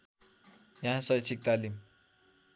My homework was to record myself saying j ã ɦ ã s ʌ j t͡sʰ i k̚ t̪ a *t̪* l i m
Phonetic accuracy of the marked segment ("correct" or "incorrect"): incorrect